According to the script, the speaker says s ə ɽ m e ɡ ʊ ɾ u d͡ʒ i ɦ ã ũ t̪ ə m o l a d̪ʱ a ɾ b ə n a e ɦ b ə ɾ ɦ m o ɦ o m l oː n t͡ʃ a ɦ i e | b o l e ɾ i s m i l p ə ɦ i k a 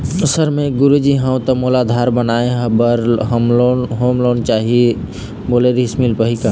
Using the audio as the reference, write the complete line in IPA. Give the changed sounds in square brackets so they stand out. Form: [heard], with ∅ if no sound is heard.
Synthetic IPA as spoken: s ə [ɾ] m e ɡ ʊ ɾ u d͡ʒ i ɦ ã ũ t̪ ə m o l a d̪ʱ a ɾ b ə n a e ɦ b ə ɾ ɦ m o ɦ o m l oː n t͡ʃ a ɦ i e | b o l e ɾ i s m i l p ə ɦ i k a